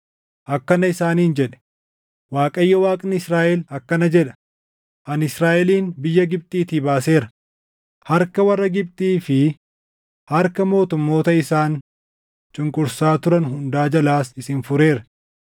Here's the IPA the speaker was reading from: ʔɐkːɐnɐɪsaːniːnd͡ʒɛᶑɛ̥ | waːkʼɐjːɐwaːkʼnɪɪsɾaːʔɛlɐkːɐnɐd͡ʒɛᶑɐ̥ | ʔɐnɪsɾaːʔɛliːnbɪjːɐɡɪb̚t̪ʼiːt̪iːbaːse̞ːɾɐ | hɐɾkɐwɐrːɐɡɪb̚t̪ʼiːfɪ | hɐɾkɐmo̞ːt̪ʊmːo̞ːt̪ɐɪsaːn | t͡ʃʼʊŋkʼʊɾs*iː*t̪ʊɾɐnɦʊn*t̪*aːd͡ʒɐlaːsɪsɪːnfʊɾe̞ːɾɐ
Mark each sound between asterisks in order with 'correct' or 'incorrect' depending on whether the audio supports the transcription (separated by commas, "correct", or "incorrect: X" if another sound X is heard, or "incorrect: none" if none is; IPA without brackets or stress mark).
incorrect: aː, incorrect: d̪